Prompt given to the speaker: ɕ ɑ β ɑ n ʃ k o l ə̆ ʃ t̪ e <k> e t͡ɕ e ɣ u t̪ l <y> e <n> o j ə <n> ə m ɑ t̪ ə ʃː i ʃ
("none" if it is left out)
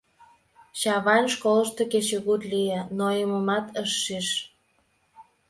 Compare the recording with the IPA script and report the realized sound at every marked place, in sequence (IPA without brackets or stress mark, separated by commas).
k, i, n, m